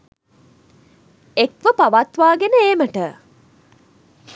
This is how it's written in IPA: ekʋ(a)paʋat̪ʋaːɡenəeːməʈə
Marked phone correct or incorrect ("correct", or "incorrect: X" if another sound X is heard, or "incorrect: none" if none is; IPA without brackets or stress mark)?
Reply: incorrect: ə